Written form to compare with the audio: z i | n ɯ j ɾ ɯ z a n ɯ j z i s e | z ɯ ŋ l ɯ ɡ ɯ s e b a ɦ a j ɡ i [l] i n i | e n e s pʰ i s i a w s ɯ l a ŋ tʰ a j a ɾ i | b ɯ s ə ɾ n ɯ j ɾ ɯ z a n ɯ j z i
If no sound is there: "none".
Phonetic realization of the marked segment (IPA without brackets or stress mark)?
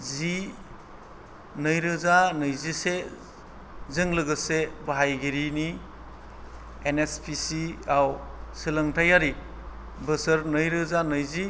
ɾ